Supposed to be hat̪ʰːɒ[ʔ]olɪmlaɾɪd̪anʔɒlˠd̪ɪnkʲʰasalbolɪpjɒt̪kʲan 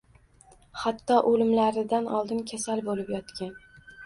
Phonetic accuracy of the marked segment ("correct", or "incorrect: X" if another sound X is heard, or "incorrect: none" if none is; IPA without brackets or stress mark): correct